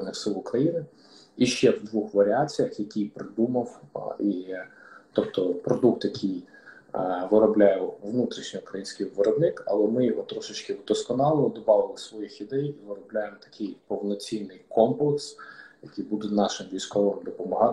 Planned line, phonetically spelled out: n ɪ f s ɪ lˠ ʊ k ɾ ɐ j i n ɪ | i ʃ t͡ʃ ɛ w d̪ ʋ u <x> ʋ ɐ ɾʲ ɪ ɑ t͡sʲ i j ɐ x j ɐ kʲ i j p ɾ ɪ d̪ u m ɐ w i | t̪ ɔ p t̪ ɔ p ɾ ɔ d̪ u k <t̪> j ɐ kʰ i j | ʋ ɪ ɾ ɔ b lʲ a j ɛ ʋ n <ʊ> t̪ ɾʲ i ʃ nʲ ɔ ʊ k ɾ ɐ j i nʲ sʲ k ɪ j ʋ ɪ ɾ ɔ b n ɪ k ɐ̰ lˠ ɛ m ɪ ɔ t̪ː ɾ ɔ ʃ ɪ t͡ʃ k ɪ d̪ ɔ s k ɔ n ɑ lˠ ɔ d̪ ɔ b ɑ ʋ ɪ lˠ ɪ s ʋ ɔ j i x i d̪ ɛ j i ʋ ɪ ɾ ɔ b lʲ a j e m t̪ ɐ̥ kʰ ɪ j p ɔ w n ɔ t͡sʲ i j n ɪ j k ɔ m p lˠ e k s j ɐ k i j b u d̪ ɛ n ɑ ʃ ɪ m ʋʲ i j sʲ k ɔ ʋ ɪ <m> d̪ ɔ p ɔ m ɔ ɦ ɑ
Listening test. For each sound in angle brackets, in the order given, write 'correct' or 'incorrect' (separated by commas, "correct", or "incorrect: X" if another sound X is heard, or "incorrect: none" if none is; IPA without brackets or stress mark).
correct, correct, incorrect: u, correct